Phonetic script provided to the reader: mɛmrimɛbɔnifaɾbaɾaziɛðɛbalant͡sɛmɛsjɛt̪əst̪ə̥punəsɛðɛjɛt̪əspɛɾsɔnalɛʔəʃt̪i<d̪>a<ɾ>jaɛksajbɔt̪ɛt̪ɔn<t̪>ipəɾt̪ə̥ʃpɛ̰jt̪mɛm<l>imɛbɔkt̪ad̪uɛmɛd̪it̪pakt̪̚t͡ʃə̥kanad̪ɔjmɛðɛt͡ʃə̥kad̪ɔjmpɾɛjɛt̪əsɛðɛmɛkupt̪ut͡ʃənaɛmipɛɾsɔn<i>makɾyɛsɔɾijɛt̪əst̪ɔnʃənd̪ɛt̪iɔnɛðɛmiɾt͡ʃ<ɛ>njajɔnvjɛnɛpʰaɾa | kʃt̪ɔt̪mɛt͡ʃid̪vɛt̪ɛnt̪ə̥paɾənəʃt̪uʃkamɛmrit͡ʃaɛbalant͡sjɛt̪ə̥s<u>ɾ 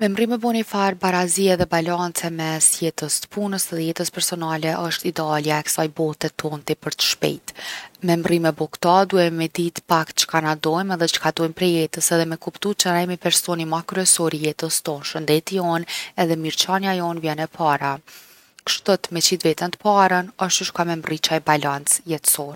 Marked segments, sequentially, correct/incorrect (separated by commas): correct, incorrect, correct, incorrect, correct, incorrect, incorrect